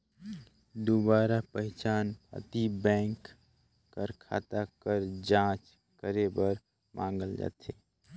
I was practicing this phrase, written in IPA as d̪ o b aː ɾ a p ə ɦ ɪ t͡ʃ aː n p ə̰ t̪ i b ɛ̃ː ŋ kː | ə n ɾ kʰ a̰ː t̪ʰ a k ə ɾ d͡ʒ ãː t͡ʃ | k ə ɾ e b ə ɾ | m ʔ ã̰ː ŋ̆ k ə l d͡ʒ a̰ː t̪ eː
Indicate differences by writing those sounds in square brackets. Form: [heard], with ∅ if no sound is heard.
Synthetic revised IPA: d̪ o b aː ɾ a p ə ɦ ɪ t͡ʃ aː n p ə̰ t̪ i b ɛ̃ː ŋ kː | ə [∅] ɾ kʰ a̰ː [t̪] a k ə ɾ d͡ʒ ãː t͡ʃ | k ə ɾ e b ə ɾ | m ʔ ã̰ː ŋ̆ [ɡ] ə l d͡ʒ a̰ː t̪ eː